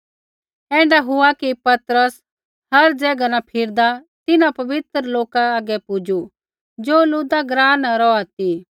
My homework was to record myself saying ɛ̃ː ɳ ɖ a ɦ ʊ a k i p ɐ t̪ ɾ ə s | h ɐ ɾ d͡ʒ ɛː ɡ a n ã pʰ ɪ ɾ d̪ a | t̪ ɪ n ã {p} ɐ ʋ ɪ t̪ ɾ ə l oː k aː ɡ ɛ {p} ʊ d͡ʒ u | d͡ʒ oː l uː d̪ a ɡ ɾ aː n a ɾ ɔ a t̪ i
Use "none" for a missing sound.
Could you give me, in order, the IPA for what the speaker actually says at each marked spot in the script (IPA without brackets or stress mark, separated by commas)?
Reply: p, p